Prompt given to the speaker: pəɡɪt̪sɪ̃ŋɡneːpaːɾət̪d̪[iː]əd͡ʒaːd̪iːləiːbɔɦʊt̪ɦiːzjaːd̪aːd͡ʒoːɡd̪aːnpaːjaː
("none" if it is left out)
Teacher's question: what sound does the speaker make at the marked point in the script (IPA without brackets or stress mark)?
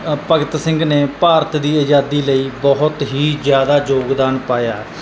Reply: iː